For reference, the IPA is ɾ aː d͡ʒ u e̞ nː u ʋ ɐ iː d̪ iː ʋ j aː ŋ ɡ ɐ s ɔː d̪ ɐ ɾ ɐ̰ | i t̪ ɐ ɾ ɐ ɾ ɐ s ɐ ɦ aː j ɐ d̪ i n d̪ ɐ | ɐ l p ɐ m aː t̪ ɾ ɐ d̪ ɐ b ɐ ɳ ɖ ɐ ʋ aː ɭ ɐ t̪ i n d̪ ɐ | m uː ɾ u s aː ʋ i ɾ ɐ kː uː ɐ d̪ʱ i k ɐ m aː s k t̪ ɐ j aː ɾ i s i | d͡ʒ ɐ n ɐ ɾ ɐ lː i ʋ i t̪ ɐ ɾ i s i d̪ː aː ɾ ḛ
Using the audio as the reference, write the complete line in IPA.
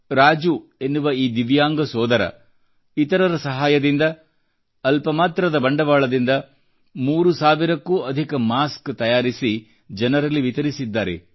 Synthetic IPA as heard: ɾ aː d͡ʒ u e̞ nː u ʋ ɐ iː d̪ i ʋ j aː ŋ ɡ ɐ s ɔː d̪ ɐ ɾ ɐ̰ | i t̪ ɐ ɾ ɐ ɾ ɐ s ɐ ɦ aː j ɐ d̪ i n d̪ ɐ | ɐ l p ɐ m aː t̪ ɾ ɐ d̪ ɐ b ɐ ɳ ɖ ɐ ʋ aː ɭ ɐ d̪ i n d̪ ɐ | m uː ɾ u s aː ʋ i ɾ ɐ kː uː ɐ d̪ʱ i k ɐ m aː s k t̪ ɐ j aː ɾ i s i | d͡ʒ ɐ n ɐ ɾ ɐ lː i ʋ i t̪ ɐ ɾ i s i d̪ː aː ɾ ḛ

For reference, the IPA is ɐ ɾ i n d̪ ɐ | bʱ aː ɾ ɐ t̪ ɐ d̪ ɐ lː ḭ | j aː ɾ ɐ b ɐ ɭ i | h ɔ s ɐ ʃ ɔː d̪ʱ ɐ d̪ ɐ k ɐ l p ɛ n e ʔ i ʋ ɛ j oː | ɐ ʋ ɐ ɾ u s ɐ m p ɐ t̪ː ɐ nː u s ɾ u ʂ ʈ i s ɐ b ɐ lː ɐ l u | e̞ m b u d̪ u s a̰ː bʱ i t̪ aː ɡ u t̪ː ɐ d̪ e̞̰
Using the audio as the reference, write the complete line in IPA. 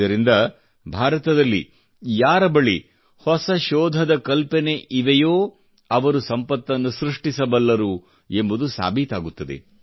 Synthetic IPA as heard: ɐ ɾ i n d̪ ɐ | bʱ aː ɾ ɐ t̪ ɐ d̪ ɐ lː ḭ | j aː ɾ ɐ b ɐ ɭ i | h ɔ s ɐ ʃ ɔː d̪ʱ ɐ d̪ ɐ k ɐ l p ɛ n e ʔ i ʋ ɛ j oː | ɐ ʋ ɐ ɾ u s ɐ m p ɐ t̪ː ɐ nː u s ɾ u ʂ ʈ i s ɐ b ɐ lː ɐ ɾ u | e̞ m b u d̪ u s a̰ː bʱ i t̪ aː ɡ u t̪ː ɐ d̪ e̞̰

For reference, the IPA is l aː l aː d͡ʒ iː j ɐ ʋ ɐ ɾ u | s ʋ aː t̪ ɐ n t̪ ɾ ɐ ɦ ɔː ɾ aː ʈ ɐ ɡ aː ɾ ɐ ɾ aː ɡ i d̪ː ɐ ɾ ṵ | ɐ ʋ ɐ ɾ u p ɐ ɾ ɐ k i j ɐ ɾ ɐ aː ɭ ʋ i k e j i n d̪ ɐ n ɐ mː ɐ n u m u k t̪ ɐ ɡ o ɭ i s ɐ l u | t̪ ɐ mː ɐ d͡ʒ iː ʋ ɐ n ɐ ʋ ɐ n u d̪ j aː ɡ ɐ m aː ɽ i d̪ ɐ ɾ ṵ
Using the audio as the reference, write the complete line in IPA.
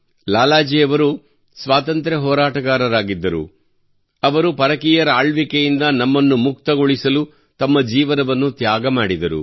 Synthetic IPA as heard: l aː l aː d͡ʒ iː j ɐ ʋ ɐ ɾ u | s ʋ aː t̪ ɐ n t̪ ɾ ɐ ɦ ɔː ɾ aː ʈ ɐ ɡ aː ɾ ɐ ɾ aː ɡ i d̪ː ɐ ɾ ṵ | ɐ ʋ ɐ ɾ u p ɐ ɾ ɐ k i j ɐ ɾ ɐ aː ɭ ʋ i k e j i n d̪ ɐ n ɐ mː ɐ nː u m u k t̪ ɐ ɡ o ɭ i s ɐ l u | t̪ ɐ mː ɐ d͡ʒ iː ʋ ɐ n ɐ ʋ ɐ nː u t̪ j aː ɡ ɐ m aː ɽ i d̪ ɐ ɾ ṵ

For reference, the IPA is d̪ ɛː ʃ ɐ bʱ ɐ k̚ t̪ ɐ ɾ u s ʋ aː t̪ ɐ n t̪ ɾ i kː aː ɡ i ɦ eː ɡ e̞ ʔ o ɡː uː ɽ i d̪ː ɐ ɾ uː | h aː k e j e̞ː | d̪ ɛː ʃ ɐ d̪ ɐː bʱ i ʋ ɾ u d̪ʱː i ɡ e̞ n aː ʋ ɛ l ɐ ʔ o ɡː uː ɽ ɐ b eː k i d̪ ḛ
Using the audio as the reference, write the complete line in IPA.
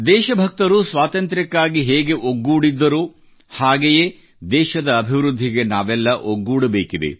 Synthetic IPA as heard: d̪ ɛː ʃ ɐ bʱ ɐ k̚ t̪ ɐ ɾ u s ʋ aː t̪ ɐ n t̪ ɾ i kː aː ɡ i ɦ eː ɡ e̞ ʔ o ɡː uː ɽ i d̪ː ɐ ɾ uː | h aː ɡ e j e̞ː | d̪ ɛː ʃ ɐ d̪ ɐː bʱ i ʋ ɾ u d̪ʱː i ɡ e̞ n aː ʋ ɛ lː ɐ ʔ o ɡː uː ɽ ɐ b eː k i d̪ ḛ

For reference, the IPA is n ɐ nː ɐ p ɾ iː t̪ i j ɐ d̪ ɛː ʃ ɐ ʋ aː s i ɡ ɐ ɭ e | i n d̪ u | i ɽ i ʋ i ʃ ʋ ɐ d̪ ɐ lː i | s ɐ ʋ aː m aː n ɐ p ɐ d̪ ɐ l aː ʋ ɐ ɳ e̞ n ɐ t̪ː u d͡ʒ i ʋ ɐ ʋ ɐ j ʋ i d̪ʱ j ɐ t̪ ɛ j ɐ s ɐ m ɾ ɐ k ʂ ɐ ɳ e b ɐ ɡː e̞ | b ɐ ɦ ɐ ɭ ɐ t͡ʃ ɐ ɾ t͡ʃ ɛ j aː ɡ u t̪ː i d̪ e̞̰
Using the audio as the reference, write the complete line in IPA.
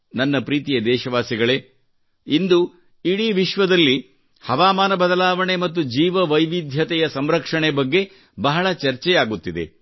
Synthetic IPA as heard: n ɐ nː ɐ p ɾ iː t̪ i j ɐ d̪ ɛː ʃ ɐ ʋ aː s i ɡ ɐ ɭ e | i n d̪ u | i ɽ i ʋ i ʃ ʋ ɐ d̪ ɐ lː i | h ɐ ʋ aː m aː n ɐ b ɐ d̪ ɐ l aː ʋ ɐ ɳ e̞ m ɐ t̪ː u d͡ʒ iː ʋ ɐ ʋ ɐ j ʋ i d̪ʱ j ɐ t̪ ɛ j ɐ s ɐ m ɾ ɐ k ʂ ɐ ɳ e b ɐ ɡː e̞ | b ɐ ɦ ɐ ɭ ɐ t͡ʃ ɐ ɾ t͡ʃ ɛ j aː ɡ u t̪ː i d̪ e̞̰

